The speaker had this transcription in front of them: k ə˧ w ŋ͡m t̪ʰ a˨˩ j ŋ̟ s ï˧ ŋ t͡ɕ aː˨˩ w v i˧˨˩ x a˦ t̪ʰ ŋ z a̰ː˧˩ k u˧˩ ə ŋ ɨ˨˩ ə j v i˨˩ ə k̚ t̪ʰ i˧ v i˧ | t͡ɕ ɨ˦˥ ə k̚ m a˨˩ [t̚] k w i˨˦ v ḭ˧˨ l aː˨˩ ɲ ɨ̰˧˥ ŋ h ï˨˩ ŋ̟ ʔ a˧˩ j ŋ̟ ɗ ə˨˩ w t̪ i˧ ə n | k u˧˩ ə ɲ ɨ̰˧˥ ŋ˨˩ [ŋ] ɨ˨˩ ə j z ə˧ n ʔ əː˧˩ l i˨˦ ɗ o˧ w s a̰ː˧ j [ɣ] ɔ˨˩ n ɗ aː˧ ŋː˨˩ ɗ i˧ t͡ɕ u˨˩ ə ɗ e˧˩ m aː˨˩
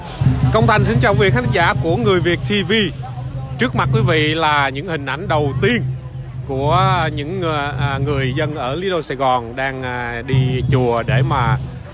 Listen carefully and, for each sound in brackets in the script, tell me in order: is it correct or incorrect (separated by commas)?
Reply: correct, correct, correct